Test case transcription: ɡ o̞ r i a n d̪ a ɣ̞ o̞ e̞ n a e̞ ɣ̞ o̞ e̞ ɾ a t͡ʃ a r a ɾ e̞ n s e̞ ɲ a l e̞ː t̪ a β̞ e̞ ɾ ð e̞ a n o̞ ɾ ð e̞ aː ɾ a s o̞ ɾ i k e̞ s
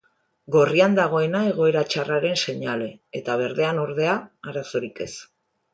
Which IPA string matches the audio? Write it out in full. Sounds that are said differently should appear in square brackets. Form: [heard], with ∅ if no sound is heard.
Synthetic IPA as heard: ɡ o̞ r i a n d̪ a ɣ̞ o̞ e̞ n a e̞ ɣ̞ o̞ e̞ ɾ a t͡ʃ a r a ɾ e̞ n s e̞ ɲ a l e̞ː t̪ a β̞ e̞ ɾ ð e̞ a n o̞ ɾ ð e̞ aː ɾ a s o̞ ɾ i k e̞ s